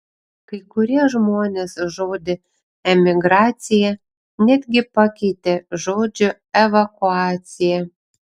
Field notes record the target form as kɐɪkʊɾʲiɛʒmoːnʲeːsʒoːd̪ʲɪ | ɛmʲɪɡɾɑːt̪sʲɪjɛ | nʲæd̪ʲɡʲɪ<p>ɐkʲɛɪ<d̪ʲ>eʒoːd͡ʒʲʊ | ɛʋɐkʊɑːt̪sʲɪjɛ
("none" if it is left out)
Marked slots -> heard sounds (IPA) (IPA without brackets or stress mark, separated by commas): p, t̪ʲ